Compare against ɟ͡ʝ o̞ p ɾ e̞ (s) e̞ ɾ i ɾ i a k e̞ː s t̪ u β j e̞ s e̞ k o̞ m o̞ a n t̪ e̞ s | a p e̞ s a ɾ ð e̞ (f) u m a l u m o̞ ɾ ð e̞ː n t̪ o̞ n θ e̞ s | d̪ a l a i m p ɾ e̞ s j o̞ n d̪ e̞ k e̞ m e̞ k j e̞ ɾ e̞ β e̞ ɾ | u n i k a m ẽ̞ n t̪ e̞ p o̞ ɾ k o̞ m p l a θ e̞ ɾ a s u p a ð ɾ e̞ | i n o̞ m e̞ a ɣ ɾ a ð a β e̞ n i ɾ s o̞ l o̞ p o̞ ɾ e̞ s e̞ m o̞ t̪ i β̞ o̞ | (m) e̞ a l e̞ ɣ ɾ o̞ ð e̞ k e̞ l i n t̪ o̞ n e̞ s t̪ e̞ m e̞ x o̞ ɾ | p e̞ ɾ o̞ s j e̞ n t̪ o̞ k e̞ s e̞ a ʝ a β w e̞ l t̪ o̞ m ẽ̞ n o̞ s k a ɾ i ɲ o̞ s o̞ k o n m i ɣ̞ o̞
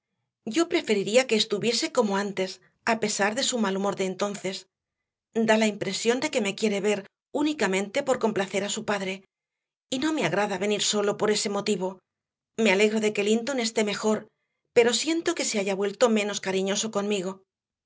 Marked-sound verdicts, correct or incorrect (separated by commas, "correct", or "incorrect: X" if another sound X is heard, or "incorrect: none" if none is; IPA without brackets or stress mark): incorrect: f, incorrect: s, correct